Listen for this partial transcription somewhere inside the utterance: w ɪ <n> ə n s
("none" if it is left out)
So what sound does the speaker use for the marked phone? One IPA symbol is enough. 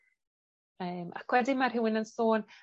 n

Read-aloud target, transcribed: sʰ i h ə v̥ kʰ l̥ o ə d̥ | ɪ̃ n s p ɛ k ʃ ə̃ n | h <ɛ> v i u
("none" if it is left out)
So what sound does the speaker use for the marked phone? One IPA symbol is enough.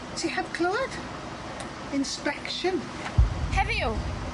ɛ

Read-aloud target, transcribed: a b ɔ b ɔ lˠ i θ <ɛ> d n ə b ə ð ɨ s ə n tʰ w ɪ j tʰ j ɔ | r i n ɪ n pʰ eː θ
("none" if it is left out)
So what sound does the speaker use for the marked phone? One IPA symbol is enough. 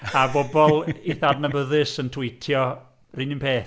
a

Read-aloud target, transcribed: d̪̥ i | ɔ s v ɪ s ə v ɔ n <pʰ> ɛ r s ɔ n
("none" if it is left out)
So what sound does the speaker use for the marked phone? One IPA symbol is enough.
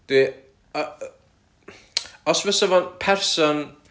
pʰ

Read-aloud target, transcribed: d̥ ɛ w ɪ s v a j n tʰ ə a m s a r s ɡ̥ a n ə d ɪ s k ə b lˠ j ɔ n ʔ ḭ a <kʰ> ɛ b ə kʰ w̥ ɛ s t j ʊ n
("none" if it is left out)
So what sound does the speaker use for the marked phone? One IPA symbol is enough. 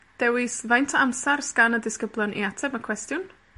tʰ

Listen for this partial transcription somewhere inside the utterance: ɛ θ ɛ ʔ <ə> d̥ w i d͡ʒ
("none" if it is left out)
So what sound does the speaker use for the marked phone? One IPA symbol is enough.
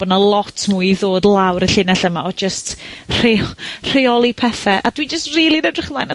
a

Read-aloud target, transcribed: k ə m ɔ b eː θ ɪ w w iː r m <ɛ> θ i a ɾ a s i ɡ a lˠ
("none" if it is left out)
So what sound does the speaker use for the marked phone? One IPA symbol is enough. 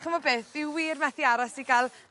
ɛ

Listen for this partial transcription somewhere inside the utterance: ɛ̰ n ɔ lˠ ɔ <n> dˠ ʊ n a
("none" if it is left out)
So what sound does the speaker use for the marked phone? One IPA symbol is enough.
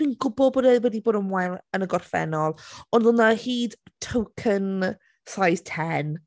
n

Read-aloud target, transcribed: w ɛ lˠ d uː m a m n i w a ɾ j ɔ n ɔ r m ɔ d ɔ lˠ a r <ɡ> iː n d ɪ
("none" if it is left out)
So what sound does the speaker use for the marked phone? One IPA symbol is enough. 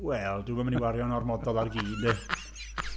ɡ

